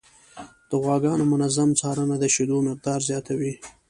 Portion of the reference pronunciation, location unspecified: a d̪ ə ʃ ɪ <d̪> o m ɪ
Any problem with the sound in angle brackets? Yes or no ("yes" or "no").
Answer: no